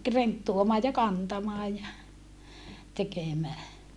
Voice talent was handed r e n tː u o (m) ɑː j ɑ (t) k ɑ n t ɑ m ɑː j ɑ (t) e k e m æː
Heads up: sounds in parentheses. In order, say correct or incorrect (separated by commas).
correct, incorrect, correct